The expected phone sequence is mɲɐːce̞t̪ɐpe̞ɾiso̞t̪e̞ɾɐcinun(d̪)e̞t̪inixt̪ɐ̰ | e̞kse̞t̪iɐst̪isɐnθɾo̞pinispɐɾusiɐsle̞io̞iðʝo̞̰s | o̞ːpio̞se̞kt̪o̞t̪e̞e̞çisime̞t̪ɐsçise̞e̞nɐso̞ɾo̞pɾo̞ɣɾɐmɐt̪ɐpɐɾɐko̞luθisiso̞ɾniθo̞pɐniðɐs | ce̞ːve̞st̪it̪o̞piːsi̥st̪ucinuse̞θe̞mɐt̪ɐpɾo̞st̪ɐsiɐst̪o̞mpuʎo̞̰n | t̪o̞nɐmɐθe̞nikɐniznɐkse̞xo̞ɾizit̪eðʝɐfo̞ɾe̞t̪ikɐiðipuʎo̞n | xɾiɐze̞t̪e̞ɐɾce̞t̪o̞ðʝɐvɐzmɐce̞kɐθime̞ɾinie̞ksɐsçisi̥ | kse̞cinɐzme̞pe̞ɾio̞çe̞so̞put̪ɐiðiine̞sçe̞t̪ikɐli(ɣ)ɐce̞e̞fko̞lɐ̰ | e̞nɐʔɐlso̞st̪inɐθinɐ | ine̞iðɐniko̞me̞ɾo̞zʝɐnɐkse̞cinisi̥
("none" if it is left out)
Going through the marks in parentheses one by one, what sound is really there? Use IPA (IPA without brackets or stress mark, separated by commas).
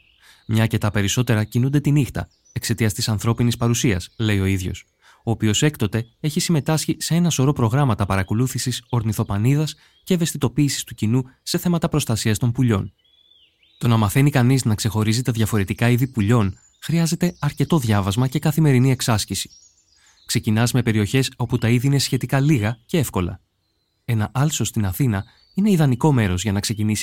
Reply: d̪, ɣ